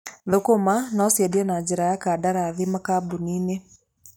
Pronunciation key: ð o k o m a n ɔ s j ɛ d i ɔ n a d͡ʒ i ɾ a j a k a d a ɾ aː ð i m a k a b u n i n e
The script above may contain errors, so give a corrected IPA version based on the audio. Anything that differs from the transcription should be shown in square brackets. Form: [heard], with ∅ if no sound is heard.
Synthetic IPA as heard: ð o k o m a n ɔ s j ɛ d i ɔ n a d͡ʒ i ɾ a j a k a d a ɾ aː ð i m a k a b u n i n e

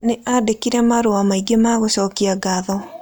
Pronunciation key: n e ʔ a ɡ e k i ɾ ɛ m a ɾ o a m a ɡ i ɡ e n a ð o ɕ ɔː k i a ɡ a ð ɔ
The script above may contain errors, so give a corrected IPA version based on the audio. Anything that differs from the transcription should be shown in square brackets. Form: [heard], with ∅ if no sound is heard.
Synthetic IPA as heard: n e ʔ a [d] e k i ɾ ɛ m a ɾ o a m a [∅] i ɡ e [m] a [ɣ] o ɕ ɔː k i a ɡ a ð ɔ

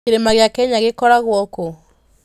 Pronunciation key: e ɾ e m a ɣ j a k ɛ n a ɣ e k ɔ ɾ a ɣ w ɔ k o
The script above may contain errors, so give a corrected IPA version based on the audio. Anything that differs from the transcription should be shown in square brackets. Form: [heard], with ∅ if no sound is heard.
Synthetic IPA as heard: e ɾ e m a ɣ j a k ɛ [ɲ] a ɣ e k ɔ ɾ a ɣ w ɔ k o

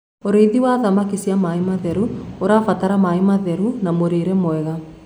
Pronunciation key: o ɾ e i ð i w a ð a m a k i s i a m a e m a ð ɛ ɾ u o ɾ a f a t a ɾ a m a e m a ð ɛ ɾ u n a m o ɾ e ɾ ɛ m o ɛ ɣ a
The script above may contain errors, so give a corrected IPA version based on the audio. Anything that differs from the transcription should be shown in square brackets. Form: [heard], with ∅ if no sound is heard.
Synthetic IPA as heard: o ɾ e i ð i w a ð a m a k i s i a m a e m a ð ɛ ɾ u o ɾ a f a t a ɾ a m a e m a ð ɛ ɾ u n a m o ɾ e ɾ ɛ m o ɛ ɣ a

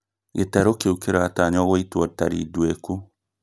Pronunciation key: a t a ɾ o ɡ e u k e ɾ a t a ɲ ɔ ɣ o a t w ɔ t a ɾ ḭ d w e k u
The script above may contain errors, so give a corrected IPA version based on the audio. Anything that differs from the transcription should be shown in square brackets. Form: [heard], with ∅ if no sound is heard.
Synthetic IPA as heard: [e] t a ɾ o [k] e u k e ɾ a t a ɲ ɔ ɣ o [i] t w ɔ t a ɾ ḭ d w e k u

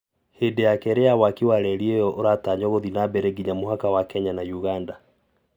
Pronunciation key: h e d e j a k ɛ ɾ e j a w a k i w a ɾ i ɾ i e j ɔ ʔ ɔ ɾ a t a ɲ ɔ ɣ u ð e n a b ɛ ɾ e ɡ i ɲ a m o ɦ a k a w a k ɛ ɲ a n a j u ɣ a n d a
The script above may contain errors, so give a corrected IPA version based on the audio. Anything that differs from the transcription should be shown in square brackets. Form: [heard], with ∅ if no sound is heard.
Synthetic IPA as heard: h e d e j a k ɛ ɾ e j a w a k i w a ɾ [ɛ] ɾ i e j ɔ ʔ [o] ɾ a t a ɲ ɔ ɣ [o] ð [i] n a b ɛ ɾ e ɡ i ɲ a m o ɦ a k a w a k ɛ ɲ a n a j u ɣ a n d a

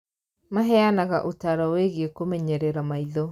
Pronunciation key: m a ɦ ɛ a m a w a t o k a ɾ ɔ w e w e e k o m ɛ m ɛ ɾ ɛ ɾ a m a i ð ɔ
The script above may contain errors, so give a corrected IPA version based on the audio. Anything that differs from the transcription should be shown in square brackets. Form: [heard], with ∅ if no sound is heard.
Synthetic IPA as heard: m a ɦ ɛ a [n] a [ɣ] a [ʔ] o [t] a ɾ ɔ w e [ɣ] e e k o m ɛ [ɲ] ɛ ɾ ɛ ɾ a m a i ð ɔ

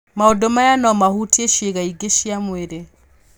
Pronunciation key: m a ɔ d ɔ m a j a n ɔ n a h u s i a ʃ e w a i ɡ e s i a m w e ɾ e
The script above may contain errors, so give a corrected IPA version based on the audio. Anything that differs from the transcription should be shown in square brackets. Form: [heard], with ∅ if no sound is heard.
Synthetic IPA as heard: m a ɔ d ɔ m a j a n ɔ [m] a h u [t] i [e] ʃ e [ɣ] a i ɡ e [ʃ] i a m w e ɾ e

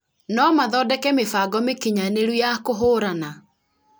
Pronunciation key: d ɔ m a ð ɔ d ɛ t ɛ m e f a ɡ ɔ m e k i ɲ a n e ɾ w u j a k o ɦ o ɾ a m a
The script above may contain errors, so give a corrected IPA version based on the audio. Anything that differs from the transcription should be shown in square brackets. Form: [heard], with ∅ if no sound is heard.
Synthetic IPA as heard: [n] ɔ m a ð ɔ d ɛ [k] ɛ m e f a ɡ ɔ m e k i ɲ a n e ɾ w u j a k o ɦ o ɾ a [n] a

